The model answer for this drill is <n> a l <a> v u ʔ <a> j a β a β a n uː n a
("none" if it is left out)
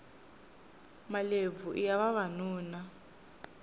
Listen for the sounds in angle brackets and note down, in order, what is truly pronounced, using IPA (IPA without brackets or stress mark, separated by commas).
m, e, i